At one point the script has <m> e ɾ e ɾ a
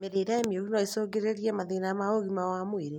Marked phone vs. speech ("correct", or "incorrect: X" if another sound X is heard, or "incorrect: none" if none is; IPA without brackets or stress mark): correct